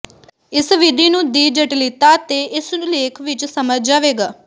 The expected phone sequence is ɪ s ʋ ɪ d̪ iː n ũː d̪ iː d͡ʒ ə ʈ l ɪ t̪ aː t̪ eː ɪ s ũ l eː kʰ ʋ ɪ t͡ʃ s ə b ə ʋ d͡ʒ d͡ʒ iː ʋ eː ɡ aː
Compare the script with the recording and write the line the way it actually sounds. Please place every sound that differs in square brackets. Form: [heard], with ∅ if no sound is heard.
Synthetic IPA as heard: ɪ s ʋ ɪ d̪ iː n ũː d̪ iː d͡ʒ ə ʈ l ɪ t̪ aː t̪ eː ɪ s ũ l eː kʰ ʋ ɪ t͡ʃ s ə [m] ə [∅] d͡ʒ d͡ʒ [aː] ʋ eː ɡ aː